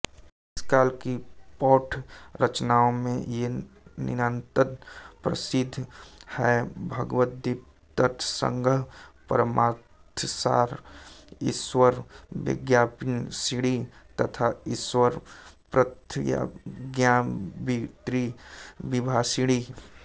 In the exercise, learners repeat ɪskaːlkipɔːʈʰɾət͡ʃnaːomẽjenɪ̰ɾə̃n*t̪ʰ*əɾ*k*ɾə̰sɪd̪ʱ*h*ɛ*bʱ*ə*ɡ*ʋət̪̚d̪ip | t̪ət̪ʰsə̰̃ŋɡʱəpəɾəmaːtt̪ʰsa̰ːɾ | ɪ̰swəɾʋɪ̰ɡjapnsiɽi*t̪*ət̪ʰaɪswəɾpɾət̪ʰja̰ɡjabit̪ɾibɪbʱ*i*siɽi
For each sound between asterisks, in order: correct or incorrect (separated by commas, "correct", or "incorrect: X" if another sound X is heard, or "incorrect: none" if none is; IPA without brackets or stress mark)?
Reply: incorrect: t̪, incorrect: p, correct, correct, correct, correct, incorrect: a